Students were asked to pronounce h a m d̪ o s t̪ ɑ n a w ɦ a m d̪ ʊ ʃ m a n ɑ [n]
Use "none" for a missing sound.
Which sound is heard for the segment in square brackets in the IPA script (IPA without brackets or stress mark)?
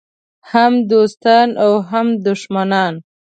n